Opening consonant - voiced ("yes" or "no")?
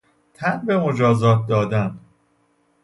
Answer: no